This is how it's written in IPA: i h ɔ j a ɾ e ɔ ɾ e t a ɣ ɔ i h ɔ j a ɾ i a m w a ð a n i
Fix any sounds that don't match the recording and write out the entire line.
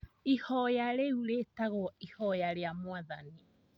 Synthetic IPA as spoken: i h ɔ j a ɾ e u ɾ e t a ɣ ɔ i h ɔ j a ɾ e a m w a ð a n i